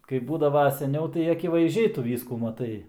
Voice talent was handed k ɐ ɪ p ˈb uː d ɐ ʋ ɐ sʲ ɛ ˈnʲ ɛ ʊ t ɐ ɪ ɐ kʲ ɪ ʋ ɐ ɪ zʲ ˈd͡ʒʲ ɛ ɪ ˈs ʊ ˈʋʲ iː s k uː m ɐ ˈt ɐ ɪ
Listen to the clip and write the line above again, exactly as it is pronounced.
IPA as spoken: k ɐ ɪ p ˈb uː d ɐ ʋ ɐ sʲ ɛ ˈnʲ ɛ ʊ t ɐ ɪ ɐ kʲ ɪ ʋ ɐ ɪ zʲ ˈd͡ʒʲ ɛ ɪ ˈt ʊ ˈʋʲ iː s k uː m ɐ ˈt ɐ ɪ